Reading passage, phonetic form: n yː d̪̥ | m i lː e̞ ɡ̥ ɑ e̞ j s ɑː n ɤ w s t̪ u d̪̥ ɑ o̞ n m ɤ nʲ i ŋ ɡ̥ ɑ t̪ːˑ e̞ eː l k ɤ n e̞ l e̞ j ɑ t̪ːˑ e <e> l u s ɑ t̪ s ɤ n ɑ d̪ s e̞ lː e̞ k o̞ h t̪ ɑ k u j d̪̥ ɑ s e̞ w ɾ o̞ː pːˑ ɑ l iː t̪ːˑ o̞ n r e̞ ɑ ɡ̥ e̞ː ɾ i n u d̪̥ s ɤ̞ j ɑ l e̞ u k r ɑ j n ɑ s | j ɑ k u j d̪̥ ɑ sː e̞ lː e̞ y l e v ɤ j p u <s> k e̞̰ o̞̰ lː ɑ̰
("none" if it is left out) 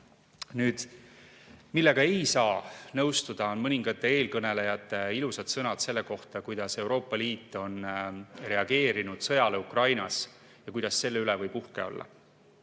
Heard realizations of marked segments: i, h

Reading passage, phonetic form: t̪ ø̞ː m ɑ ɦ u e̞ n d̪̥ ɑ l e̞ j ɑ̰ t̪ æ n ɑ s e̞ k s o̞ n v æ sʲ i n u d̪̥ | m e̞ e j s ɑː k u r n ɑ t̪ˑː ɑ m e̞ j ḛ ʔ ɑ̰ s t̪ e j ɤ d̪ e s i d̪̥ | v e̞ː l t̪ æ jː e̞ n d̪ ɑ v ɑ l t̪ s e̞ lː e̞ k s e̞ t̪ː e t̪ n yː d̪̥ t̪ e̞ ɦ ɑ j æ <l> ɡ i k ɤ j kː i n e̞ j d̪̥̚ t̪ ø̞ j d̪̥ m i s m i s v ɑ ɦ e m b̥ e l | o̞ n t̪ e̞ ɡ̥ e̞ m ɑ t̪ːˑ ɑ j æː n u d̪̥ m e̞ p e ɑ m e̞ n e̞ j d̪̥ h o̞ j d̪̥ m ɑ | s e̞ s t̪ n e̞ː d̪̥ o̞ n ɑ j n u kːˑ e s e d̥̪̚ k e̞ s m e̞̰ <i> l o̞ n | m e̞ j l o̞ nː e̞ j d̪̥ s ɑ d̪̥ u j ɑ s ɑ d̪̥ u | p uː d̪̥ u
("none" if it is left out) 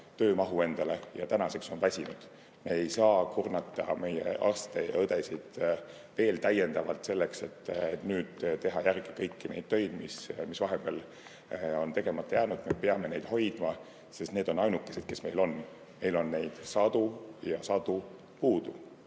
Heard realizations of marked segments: r, j

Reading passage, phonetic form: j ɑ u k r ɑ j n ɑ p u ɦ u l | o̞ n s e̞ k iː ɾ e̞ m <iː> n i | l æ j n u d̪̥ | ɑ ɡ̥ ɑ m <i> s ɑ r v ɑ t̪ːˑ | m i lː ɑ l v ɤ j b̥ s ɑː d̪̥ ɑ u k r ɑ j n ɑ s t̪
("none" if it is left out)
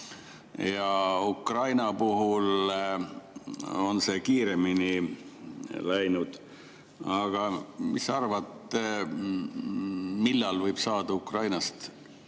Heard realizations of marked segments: i, i

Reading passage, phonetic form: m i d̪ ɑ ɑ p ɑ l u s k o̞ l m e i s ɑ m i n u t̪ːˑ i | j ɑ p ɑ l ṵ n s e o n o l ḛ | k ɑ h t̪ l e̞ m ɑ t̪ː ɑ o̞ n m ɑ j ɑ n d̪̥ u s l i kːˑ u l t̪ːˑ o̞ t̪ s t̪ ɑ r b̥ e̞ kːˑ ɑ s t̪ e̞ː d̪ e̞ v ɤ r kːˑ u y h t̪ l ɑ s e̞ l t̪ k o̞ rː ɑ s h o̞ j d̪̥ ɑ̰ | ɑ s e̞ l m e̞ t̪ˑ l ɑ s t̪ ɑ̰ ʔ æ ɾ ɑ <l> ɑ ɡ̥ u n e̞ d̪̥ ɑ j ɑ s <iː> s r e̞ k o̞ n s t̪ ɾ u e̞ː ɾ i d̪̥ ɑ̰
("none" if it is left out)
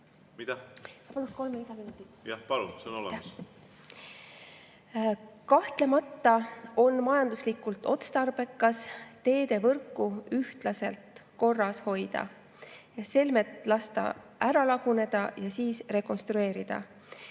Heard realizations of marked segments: l, iː

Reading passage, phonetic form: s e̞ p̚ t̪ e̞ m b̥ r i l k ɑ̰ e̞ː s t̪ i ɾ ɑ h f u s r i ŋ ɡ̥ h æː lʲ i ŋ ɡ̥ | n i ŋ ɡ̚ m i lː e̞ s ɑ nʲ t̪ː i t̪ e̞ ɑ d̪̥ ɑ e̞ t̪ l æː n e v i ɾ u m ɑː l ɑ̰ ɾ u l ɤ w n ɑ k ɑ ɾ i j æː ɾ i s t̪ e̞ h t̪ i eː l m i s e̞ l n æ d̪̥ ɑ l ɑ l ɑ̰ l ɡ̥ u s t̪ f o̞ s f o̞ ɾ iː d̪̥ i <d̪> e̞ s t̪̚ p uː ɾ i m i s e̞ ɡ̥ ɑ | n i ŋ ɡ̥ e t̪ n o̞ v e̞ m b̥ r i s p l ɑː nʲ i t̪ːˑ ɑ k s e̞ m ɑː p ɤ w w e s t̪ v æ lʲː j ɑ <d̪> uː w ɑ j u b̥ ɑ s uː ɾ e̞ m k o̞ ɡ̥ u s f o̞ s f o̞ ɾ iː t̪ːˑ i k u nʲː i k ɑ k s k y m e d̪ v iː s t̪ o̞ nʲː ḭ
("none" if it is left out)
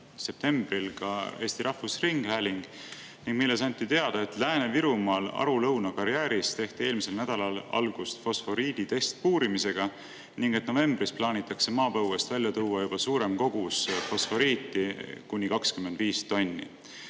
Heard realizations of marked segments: t̪, t̪

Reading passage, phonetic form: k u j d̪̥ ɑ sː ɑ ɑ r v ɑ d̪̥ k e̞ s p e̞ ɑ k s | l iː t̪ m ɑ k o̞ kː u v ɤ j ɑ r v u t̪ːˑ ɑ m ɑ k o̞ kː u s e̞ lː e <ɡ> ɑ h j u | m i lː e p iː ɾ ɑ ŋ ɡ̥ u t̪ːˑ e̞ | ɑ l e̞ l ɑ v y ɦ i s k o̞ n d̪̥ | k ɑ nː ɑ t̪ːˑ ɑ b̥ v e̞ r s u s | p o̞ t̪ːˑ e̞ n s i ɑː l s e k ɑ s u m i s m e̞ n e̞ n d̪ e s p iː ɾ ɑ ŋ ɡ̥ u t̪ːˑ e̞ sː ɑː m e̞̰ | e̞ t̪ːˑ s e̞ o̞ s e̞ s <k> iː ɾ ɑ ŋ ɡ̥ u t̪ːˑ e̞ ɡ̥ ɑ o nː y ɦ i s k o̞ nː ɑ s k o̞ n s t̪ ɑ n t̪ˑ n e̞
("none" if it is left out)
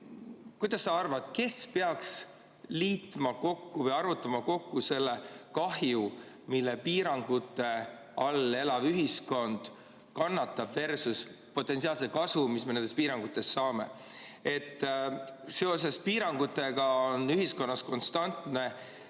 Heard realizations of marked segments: k, p

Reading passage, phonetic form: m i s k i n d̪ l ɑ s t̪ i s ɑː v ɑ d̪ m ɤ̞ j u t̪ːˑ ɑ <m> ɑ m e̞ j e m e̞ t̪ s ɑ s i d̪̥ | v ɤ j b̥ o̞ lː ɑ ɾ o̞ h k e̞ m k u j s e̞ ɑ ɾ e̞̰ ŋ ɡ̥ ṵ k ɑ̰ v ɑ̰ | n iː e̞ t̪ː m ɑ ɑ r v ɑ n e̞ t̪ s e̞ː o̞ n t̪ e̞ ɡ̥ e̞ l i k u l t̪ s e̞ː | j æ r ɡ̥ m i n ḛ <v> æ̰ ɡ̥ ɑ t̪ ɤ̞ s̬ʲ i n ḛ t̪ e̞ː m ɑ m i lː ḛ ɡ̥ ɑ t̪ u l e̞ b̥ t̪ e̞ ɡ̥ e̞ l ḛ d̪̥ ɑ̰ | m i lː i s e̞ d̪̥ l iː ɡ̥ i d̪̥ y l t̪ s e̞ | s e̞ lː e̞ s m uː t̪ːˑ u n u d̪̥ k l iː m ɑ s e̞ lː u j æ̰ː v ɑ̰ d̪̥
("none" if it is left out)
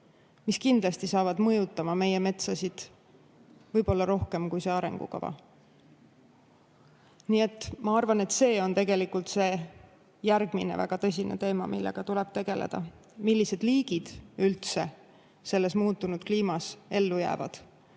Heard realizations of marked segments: m, v

